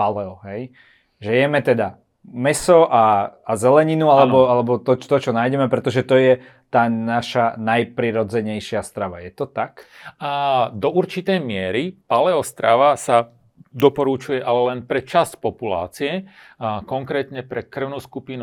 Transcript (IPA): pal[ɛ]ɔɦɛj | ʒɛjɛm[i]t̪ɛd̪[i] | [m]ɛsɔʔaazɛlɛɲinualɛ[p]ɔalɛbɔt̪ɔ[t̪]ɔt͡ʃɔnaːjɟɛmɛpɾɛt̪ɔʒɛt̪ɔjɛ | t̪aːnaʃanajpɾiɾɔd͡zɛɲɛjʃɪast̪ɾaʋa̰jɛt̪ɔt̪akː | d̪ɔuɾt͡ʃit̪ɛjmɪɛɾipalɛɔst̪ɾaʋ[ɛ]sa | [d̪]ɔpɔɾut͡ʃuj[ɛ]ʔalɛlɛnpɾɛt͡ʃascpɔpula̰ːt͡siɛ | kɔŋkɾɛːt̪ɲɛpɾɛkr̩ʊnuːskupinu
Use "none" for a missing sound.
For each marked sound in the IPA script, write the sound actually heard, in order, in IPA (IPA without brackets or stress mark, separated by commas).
ɛ, ɛ, a, m, b, t̪, a, d̪, ɛ